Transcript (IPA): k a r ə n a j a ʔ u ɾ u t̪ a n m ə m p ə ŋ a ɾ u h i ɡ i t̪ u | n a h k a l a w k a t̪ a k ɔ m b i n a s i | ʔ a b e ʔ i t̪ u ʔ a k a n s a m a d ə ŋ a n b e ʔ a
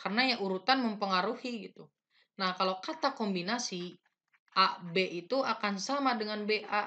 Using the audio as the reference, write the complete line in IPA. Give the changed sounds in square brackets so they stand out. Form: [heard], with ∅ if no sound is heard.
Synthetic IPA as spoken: k a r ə n a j a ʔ u ɾ u t̪ a n m ə m p ə ŋ a ɾ u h i ɡ i t̪ u | n a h k a l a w k a t̪ a k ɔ m b i n a s i | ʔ a b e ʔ i t̪ u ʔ a k a n s a m a d ə ŋ a n b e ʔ a